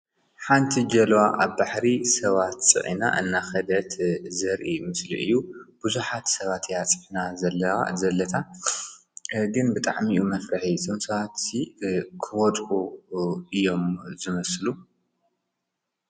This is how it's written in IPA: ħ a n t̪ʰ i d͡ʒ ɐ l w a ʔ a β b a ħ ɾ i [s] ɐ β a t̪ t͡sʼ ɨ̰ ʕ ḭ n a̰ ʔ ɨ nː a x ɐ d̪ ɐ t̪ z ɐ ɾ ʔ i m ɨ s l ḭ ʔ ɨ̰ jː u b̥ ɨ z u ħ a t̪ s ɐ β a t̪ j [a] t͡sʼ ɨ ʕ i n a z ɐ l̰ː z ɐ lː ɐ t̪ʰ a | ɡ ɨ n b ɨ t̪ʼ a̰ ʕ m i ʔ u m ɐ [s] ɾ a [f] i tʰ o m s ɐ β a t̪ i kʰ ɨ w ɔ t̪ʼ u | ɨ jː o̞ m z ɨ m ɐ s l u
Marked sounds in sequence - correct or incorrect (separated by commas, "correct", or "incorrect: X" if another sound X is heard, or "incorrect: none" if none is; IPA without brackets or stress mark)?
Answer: correct, correct, incorrect: f, incorrect: ħ